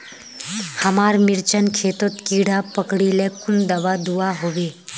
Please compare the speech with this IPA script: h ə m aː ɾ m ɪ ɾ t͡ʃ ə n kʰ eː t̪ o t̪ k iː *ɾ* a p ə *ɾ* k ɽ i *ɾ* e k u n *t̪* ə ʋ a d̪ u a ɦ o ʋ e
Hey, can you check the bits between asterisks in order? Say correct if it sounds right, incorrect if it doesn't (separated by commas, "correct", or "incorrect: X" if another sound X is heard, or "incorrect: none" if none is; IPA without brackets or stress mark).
incorrect: ɽ, incorrect: none, incorrect: l, incorrect: d̪